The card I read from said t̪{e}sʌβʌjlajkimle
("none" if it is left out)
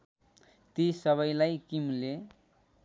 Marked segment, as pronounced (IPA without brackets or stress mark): i